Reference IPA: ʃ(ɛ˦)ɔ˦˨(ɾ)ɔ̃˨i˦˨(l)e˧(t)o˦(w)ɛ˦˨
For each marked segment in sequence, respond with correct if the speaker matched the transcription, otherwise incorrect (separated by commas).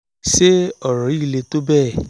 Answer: incorrect, correct, correct, correct, incorrect